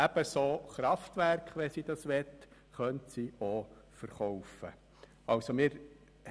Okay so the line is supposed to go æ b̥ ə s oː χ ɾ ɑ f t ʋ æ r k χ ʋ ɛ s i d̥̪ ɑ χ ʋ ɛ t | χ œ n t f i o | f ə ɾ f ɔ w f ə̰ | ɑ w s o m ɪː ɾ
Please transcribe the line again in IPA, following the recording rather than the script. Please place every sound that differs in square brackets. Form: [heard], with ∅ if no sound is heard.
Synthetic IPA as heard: æ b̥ ə s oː χ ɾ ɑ f t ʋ æ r k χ ʋ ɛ s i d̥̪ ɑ [s] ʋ ɛ t | χ œ n t [s] i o | f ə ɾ [χ] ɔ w f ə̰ | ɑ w s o m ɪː ɾ